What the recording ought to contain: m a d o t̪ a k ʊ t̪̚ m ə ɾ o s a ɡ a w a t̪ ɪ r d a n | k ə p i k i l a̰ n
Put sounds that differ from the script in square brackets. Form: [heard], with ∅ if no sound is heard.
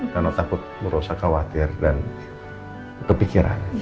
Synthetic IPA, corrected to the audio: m a [n] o t̪ a k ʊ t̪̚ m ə ɾ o s a [k] a w a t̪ ɪ r d a n | k ə p i k i [ɾ] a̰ n